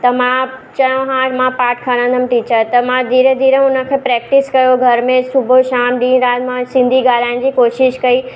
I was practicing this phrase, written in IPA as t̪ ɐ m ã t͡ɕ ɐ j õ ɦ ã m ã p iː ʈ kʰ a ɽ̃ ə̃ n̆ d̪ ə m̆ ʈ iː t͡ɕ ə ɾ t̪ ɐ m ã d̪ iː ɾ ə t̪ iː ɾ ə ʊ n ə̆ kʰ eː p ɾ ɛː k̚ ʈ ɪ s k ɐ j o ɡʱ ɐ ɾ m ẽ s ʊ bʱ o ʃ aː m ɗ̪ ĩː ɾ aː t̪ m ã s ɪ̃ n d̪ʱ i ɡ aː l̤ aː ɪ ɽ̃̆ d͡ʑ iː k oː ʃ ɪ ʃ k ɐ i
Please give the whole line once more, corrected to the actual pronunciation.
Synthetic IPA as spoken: t̪ ɐ m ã t͡ɕ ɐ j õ ɦ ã m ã p aː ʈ kʰ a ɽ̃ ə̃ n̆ d̪ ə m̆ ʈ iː t͡ɕ ə ɾ t̪ ɐ m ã d̪ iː ɾ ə d̪ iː ɾ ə ʊ n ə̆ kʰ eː p ɾ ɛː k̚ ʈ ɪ s k ɐ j o ɡʱ ɐ ɾ m ẽ s ʊ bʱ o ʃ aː m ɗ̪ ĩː ɾ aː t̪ m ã s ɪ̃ n d̪ʱ i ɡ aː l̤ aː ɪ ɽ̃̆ d͡ʑ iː k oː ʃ ɪ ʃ k ɐ i